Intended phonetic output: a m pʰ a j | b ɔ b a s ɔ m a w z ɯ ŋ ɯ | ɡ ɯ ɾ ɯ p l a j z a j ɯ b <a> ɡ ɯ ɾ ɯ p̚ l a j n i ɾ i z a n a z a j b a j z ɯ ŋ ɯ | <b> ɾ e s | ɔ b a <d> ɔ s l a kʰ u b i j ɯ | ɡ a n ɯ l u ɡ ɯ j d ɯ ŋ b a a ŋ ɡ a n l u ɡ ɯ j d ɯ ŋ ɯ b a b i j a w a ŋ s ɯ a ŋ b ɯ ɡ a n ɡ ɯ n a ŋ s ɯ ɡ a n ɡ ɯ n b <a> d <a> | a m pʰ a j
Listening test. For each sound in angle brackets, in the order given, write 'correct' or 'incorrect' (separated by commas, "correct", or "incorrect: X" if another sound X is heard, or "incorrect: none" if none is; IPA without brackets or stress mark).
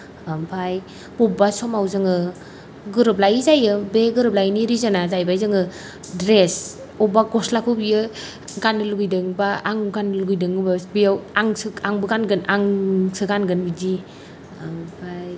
incorrect: e, incorrect: d, incorrect: ɡ, incorrect: i, incorrect: i